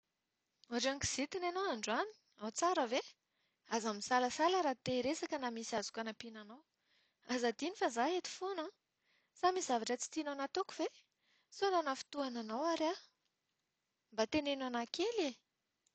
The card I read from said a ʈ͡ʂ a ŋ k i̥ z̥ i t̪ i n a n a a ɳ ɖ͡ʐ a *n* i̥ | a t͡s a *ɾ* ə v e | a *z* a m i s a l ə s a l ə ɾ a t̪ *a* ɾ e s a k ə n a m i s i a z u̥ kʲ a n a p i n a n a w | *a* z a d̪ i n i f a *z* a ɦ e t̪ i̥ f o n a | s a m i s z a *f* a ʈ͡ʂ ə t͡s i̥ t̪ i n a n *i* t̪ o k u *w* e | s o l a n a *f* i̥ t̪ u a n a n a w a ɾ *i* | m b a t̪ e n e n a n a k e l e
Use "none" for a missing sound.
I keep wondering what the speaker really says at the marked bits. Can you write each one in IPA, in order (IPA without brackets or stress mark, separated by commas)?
n, ɾ, z, e, a, z, v, a, v, f, a